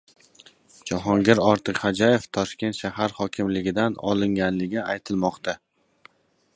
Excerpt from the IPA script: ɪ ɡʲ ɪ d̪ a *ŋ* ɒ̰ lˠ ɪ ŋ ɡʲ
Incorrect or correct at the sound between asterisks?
incorrect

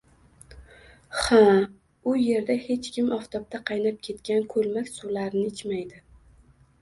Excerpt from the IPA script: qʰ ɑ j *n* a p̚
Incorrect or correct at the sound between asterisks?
correct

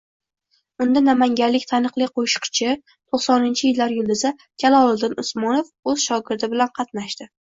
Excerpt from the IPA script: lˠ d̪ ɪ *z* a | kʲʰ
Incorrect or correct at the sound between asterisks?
correct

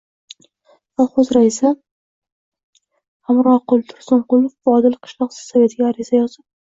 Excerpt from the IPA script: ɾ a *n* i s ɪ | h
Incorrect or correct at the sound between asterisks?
incorrect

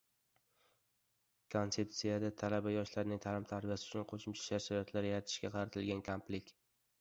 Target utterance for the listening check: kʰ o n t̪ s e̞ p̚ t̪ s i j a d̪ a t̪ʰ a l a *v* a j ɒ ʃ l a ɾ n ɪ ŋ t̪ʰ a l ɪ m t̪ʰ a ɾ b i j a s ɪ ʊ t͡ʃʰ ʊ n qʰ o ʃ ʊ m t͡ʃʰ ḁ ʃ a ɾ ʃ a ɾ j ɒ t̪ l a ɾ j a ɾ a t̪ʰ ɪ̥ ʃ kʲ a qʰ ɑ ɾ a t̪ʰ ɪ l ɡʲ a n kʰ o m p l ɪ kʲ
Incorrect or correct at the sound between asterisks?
incorrect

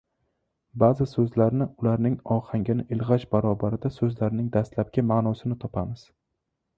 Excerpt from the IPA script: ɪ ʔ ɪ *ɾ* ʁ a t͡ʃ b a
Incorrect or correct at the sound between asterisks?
incorrect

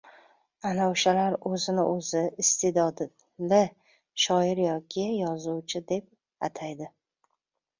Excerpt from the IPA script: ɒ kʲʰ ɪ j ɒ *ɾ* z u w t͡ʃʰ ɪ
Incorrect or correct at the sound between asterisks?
incorrect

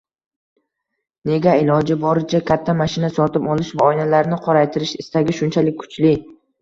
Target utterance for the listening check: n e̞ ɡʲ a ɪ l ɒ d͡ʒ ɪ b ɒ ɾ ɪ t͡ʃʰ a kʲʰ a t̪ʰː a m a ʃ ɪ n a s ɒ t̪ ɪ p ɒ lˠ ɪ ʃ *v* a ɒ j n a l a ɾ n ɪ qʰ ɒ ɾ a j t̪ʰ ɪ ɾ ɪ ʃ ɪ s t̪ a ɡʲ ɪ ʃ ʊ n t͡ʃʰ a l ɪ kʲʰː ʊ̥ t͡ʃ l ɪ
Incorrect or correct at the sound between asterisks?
correct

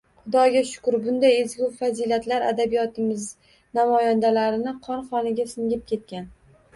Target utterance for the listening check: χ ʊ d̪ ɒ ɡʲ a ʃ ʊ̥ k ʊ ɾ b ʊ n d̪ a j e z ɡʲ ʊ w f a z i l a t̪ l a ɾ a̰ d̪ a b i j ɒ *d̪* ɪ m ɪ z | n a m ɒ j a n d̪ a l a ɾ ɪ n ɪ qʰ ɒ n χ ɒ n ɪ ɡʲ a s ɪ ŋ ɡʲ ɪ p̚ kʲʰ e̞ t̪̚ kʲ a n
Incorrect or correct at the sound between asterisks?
incorrect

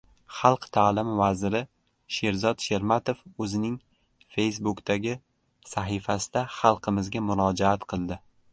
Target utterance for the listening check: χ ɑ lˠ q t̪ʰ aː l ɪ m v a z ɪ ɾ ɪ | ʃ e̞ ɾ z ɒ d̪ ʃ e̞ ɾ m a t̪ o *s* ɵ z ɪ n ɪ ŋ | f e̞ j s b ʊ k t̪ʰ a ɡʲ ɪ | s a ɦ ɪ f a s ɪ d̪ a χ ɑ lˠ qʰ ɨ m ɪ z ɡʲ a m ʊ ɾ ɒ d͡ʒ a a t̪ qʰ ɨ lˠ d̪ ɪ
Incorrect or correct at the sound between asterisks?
incorrect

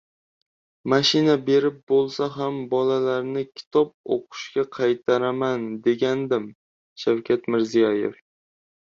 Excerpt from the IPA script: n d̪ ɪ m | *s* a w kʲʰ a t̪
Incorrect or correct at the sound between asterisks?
incorrect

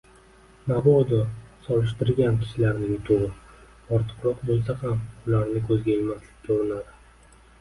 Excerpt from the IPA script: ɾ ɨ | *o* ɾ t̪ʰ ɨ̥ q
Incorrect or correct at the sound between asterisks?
incorrect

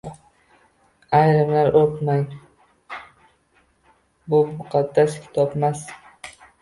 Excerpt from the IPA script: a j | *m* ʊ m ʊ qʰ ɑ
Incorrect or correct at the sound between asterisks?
incorrect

